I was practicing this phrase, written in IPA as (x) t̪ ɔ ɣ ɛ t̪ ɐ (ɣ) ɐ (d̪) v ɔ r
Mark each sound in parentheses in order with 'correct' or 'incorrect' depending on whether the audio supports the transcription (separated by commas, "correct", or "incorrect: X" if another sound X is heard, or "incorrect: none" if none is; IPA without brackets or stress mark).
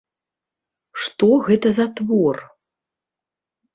incorrect: ʂ, incorrect: z, incorrect: t̪